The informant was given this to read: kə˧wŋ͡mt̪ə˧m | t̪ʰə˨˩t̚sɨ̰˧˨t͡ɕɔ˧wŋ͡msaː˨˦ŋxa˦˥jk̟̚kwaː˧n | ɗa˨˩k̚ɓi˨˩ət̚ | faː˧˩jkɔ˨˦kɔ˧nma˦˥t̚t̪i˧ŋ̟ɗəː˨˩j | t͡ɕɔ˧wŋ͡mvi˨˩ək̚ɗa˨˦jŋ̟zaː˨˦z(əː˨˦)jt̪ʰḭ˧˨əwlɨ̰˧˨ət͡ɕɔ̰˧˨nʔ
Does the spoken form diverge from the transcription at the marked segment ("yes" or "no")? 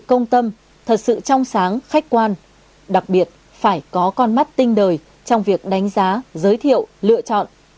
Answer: no